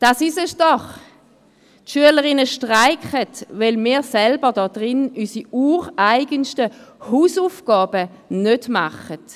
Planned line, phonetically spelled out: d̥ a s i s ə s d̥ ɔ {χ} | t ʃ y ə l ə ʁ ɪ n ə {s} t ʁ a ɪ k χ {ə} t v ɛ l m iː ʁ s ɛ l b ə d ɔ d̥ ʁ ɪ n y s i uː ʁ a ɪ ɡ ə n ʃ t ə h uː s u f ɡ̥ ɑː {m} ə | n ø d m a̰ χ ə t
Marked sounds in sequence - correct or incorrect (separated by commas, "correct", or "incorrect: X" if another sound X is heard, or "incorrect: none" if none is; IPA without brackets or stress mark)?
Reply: correct, incorrect: ʃ, correct, incorrect: b